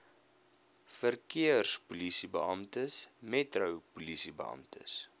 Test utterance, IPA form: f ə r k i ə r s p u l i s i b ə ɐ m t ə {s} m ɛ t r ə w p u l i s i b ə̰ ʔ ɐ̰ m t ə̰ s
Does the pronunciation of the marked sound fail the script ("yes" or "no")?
no